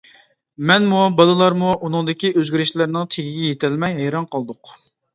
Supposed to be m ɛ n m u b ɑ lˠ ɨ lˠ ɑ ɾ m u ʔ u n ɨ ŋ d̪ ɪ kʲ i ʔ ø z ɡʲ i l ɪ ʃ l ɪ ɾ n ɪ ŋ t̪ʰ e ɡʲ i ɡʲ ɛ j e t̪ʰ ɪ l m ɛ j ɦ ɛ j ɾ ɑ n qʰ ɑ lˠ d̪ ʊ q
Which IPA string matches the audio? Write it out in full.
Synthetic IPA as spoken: m ɛ n m u b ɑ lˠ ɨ lˠ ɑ ɾ m u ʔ u n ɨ ŋ d̪ ɪ kʲ i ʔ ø z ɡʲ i ɾ ɪ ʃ l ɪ ɾ n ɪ ŋ t̪ʰ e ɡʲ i ɡʲ ɛ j e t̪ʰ ɪ l m ɛ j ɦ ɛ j ɾ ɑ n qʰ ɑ lˠ d̪ ʊ q